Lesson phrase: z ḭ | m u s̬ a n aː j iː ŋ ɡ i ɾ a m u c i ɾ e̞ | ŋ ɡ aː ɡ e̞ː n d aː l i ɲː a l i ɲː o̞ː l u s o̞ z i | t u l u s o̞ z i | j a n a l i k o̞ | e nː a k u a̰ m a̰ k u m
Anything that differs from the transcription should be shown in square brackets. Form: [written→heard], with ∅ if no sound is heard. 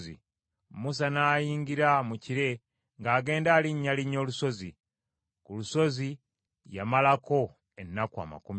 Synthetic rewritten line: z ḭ | m u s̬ a n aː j iː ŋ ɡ i ɾ a m u c i ɾ e̞ | ŋ ɡ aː ɡ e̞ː n d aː l i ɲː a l i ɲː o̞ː l u s o̞ z i | [t→k] u l u s o̞ z i | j a [n→m] a l [i→a] k o̞ | e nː a k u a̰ m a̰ k u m